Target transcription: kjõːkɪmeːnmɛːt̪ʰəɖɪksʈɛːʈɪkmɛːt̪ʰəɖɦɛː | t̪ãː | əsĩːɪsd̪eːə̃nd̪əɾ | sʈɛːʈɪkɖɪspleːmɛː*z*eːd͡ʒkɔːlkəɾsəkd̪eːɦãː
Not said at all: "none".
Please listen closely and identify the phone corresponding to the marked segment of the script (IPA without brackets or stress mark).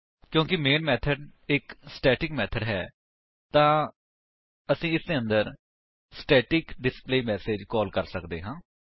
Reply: s